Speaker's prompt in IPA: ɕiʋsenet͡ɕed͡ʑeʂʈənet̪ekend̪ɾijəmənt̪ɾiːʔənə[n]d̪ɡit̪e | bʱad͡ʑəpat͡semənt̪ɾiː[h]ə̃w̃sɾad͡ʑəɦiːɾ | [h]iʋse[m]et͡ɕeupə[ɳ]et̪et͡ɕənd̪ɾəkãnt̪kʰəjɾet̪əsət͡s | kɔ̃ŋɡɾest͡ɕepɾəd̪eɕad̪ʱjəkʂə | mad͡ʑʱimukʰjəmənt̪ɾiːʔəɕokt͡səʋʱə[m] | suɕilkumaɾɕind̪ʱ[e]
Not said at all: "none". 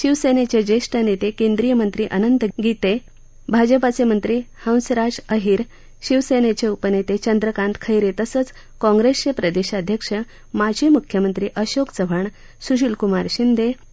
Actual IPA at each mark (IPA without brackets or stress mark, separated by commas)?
n, h, ɕ, n, n, ɳ, e